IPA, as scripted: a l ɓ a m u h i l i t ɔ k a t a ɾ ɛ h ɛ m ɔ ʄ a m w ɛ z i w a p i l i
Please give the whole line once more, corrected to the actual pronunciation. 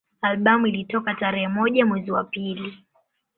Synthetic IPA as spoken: a l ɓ a m u i l i t ɔ k a t a ɾ ɛ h ɛ m ɔ ʄ a m w ɛ z i w a p i l i